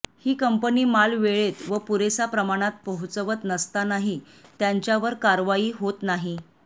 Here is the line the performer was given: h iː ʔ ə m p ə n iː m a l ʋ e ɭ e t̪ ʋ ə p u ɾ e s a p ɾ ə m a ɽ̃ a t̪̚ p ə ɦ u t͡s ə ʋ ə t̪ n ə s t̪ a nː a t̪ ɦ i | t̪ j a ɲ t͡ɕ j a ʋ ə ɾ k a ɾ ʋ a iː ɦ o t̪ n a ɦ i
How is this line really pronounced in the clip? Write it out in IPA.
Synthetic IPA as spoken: h iː k ə m p ə n iː m a l ʋ e ɭ e t̪ ʋ ə p u ɾ e s a p ɾ ə m a ɽ̃ a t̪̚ p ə ɦ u t͡s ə ʋ ə t̪ n ə s t̪ a n a ɦ i | t̪ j a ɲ t͡ɕ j a ʋ ə ɾ k a ɾ ʋ a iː ɦ o t̪ n a ɦ i